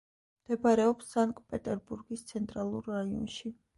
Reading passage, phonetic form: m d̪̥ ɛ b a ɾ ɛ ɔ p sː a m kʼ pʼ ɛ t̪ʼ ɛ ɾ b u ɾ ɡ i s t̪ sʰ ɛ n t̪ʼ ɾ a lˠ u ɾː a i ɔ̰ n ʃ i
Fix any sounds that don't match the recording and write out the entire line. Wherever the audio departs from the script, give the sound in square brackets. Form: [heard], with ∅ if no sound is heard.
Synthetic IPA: m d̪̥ ɛ b a ɾ ɛ ɔ p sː a [ŋ] kʼ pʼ ɛ t̪ʼ ɛ ɾ b u ɾ ɡ i s t̪ sʰ ɛ n t̪ʼ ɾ a lˠ u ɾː a i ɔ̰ n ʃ i

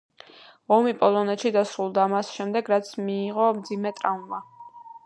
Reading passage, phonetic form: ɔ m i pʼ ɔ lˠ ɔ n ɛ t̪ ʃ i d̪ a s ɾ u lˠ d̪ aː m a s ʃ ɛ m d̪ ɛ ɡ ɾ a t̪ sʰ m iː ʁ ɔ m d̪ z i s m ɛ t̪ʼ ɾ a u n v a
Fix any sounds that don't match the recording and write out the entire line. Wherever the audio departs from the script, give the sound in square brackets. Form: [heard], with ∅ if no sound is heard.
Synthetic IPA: ɔ m i pʼ ɔ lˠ ɔ n ɛ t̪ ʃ i d̪ a s ɾ u lˠ d̪ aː m a s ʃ ɛ m d̪ ɛ ɡ ɾ a t̪ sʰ m iː ʁ ɔ m d̪ z i [∅] m ɛ t̪ʼ ɾ a u n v a

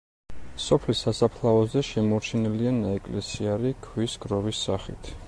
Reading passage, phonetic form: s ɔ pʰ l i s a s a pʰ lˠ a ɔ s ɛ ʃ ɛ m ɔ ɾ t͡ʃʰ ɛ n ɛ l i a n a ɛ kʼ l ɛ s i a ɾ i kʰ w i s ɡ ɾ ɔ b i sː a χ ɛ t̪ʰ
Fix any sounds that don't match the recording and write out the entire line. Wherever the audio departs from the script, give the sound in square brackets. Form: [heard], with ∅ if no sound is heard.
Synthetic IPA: s ɔ pʰ l i s a s a pʰ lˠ a ɔ [z] ɛ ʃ ɛ m ɔ ɾ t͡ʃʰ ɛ n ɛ l i a n a ɛ kʼ l ɛ s i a ɾ i kʰ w i s ɡ ɾ ɔ [v] i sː a χ [i] t̪ʰ

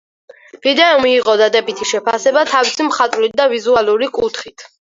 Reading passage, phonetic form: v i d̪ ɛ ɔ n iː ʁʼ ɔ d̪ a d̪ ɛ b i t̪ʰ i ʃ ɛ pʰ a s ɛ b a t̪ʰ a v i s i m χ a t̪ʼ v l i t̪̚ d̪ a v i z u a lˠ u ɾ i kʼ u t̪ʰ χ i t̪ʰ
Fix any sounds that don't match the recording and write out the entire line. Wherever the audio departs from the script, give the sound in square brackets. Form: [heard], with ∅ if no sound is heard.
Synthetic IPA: v i d̪ ɛ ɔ [m] iː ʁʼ ɔ d̪ a d̪ ɛ b i t̪ʰ i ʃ ɛ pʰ a s ɛ b a t̪ʰ a v i s i m χ a t̪ʼ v l i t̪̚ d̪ a v i z u a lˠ u ɾ i kʼ u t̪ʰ χ i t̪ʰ

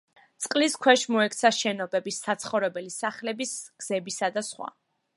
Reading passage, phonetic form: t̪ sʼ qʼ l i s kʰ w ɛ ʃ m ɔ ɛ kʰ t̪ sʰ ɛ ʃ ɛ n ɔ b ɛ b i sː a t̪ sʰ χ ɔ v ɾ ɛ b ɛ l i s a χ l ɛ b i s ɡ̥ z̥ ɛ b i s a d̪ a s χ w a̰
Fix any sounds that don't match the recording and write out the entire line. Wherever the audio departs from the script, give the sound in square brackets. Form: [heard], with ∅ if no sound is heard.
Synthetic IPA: t̪ sʼ qʼ l i s kʰ w ɛ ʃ m ɔ ɛ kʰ t̪ sʰ [a] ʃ ɛ n ɔ b ɛ b i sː a t̪ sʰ χ ɔ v ɾ ɛ b ɛ l i s a χ l ɛ b i s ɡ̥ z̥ ɛ b i s a d̪ a s χ w a̰

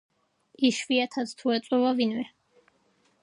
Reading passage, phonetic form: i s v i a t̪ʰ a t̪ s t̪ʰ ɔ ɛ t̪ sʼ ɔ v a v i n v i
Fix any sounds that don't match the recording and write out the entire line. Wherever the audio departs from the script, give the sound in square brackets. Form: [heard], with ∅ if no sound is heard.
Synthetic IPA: i [ʃ] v i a t̪ʰ a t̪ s t̪ʰ [u] ɛ t̪ sʼ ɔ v a v i n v [ɛ]

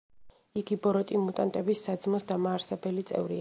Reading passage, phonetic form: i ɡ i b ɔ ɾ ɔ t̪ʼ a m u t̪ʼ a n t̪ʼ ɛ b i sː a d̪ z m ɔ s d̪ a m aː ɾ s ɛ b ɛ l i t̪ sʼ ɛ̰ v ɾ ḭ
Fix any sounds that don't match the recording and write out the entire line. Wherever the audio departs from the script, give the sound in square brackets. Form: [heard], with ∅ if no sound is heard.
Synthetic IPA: i ɡ i b ɔ ɾ ɔ t̪ʼ [i] m u t̪ʼ a n t̪ʼ ɛ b i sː a d̪ z m ɔ s d̪ a m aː ɾ s ɛ b ɛ l i t̪ sʼ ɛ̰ v ɾ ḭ

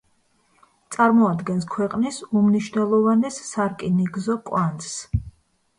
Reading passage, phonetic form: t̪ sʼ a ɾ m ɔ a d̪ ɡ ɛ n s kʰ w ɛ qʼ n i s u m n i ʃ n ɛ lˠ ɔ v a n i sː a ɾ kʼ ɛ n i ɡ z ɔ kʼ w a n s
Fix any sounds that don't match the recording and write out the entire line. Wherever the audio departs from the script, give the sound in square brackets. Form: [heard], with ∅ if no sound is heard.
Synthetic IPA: t̪ sʼ a ɾ m ɔ a d̪ ɡ ɛ n s kʰ w ɛ qʼ n i s u m n i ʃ n ɛ lˠ ɔ v a n [ɛ] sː a ɾ kʼ [i] n i ɡ z ɔ kʼ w a n s

